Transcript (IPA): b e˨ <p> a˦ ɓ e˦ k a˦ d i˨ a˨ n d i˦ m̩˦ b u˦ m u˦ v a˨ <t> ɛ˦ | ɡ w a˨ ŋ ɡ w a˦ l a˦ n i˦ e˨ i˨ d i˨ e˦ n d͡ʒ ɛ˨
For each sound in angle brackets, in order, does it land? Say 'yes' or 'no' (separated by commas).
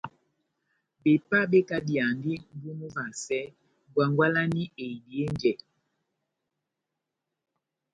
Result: yes, no